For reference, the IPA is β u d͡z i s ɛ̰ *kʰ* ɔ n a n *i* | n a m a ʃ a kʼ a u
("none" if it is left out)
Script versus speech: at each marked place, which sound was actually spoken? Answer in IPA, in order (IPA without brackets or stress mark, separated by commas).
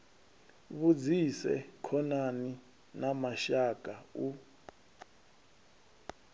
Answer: kʰ, i